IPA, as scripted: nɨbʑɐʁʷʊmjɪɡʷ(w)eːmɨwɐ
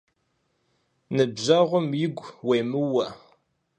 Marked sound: correct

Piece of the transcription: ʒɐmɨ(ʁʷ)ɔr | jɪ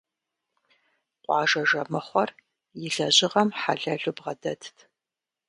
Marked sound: incorrect: χʷ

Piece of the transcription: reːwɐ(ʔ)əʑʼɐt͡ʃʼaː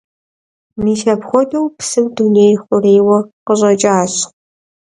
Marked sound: incorrect: q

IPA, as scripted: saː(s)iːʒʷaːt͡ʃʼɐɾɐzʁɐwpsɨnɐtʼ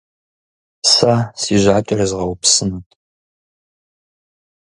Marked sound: correct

